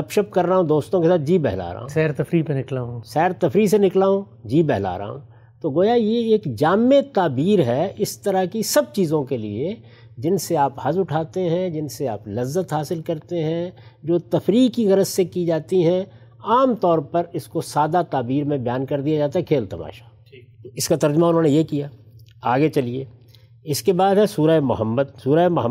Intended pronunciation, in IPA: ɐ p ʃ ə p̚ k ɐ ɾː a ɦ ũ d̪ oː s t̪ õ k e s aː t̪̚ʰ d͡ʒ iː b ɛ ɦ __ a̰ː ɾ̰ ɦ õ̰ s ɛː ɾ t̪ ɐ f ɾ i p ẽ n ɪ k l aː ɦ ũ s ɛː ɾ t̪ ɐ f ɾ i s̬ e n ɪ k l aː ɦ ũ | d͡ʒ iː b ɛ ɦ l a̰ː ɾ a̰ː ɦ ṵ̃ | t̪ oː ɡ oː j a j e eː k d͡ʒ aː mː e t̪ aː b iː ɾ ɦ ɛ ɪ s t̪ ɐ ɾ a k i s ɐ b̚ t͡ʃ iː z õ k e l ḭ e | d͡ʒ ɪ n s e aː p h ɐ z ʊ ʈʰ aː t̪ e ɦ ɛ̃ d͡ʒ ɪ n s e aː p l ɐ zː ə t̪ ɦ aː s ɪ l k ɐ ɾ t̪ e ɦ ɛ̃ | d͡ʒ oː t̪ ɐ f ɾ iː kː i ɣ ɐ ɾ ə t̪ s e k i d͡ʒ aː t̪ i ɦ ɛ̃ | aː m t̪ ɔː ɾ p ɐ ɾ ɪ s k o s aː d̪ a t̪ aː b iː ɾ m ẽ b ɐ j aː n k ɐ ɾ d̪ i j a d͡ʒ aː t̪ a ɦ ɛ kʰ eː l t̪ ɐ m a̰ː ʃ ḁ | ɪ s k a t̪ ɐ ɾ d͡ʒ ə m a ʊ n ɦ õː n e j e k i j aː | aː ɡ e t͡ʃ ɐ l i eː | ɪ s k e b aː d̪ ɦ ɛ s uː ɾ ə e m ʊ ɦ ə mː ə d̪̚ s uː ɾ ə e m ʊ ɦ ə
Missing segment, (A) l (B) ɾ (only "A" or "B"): A